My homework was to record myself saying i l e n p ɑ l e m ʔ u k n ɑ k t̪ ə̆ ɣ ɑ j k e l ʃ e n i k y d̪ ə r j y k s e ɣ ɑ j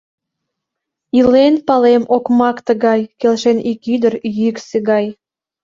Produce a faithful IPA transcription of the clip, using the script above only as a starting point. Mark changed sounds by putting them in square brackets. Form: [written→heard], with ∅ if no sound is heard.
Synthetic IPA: i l e n p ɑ l e m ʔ [u→o] k [n→m] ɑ k t̪ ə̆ ɣ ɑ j k e l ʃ e n i k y d̪ ə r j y k s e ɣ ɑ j